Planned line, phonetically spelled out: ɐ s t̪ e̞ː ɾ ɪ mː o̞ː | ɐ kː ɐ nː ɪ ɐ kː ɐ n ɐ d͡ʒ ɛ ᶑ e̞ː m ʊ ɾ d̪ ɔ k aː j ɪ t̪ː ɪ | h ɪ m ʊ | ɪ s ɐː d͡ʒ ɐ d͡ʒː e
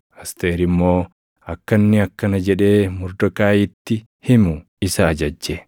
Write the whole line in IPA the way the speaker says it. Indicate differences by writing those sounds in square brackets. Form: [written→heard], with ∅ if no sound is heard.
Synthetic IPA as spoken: ɐ s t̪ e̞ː ɾ ɪ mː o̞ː | ɐ kː ɐ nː ɪ ɐ kː ɐ n ɐ d͡ʒ ɛ ᶑ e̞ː m ʊ ɾ d̪ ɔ k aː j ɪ t̪ː ɪ | h ɪ m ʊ | ɪ s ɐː d͡ʒ ɐ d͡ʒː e